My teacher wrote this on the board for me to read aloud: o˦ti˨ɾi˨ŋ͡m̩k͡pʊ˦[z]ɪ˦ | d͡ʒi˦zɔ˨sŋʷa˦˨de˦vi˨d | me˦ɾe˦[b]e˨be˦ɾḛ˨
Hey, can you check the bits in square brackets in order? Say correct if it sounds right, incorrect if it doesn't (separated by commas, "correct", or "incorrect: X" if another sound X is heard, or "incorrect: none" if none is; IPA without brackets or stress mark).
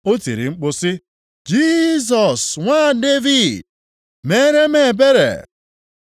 incorrect: s, incorrect: m